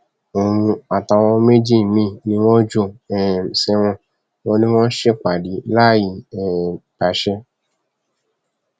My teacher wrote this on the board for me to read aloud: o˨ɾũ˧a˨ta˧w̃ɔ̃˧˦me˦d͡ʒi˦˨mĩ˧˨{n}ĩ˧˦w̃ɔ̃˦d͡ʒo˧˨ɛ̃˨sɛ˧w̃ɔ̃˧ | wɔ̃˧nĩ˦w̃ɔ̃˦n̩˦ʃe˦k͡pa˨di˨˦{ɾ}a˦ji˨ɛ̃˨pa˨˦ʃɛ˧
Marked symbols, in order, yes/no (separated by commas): yes, no